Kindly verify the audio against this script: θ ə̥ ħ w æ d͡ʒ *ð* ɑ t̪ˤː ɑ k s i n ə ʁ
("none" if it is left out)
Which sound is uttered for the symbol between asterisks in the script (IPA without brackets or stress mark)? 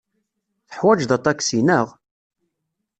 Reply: ð